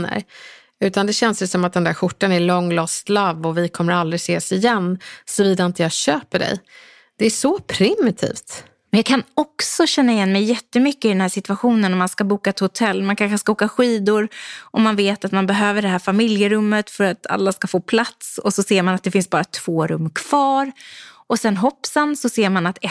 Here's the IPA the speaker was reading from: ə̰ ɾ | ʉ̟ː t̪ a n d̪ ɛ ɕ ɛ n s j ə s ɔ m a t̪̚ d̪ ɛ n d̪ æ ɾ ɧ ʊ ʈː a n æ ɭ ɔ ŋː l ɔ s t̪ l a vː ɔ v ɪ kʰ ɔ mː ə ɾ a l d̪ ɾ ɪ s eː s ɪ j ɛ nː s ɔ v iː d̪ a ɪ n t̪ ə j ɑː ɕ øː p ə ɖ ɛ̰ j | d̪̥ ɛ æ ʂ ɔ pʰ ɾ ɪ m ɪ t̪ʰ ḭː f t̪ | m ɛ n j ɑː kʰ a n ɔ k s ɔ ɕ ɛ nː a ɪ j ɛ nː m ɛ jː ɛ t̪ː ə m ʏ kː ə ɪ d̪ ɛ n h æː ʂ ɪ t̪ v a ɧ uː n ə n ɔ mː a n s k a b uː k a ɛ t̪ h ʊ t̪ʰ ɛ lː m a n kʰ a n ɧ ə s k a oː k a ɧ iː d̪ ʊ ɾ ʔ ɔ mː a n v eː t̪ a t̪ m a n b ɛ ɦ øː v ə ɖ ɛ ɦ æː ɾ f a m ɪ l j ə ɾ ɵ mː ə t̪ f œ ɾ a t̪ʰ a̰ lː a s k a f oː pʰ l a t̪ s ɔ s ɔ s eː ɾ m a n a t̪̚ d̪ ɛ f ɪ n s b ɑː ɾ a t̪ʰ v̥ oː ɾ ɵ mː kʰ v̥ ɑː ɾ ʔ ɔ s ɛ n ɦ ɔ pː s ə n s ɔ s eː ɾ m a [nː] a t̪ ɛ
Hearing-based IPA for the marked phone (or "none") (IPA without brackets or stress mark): n